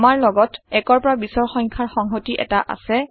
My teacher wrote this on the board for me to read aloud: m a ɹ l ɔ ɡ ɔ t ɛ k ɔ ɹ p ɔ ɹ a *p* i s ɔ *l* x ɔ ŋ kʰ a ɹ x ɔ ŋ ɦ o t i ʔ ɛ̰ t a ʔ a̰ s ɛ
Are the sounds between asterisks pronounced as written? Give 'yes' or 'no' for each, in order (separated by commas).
no, no